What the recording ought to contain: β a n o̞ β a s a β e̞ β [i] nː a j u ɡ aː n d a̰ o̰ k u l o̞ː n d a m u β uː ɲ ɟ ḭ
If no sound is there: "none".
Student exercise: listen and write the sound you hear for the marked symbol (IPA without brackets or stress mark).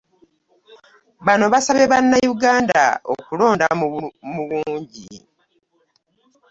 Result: a